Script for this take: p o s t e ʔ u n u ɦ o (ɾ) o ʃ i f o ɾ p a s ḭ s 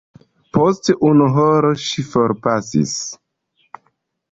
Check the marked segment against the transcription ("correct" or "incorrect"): correct